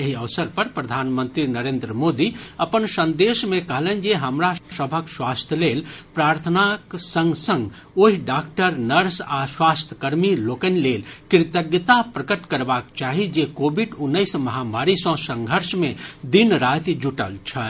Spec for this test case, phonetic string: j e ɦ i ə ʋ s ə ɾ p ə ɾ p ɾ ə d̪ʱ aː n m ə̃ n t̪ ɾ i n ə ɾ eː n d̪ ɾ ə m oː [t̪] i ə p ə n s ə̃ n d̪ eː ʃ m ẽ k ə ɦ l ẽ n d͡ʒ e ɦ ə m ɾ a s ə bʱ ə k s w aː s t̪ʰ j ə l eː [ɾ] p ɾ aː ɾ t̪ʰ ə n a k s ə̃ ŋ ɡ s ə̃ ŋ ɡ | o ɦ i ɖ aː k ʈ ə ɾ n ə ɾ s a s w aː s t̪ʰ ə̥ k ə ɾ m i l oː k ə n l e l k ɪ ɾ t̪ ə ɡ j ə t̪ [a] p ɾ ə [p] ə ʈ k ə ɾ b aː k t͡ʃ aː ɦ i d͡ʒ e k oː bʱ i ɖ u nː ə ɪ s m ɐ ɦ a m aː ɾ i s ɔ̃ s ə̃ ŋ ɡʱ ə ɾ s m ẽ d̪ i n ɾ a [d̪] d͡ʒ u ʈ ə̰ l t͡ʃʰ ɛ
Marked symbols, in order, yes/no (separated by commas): no, no, yes, no, no